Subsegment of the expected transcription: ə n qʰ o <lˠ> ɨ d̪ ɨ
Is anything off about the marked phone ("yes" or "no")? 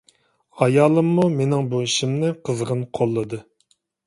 yes